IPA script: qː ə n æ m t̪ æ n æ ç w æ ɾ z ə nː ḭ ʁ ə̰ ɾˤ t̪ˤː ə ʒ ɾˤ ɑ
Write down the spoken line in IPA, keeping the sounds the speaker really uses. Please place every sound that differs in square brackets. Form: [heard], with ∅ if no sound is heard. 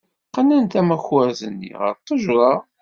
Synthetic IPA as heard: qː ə n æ [n] t̪ æ [m] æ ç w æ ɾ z ə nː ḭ ʁ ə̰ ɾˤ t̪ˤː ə ʒ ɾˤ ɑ